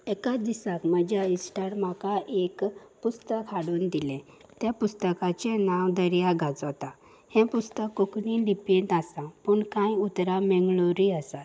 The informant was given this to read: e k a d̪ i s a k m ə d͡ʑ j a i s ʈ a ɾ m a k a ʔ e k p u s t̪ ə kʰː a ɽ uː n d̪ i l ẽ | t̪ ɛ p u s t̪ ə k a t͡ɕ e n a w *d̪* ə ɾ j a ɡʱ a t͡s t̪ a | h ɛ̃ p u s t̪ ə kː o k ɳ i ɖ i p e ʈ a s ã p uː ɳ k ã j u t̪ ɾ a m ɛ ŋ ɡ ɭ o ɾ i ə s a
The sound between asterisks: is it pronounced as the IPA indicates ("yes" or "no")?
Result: yes